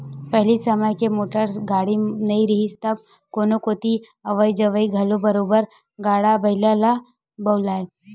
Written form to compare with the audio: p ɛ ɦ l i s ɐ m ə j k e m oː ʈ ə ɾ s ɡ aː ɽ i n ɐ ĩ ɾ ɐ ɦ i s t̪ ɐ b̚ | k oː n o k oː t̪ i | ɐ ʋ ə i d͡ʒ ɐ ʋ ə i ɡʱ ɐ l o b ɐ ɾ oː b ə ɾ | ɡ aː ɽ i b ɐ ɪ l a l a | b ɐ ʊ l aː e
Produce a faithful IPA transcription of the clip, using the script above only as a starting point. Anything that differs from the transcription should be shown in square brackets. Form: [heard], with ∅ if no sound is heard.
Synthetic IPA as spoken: p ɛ ɦ l i s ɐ m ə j k e m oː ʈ ə ɾ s ɡ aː ɽ i n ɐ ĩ ɾ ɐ ɦ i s t̪ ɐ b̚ | k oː n o k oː t̪ i | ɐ ʋ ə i d͡ʒ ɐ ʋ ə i ɡʱ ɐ l o b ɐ ɾ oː b ə ɾ | ɡ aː ɽ [a] b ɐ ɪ l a l a | b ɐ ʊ l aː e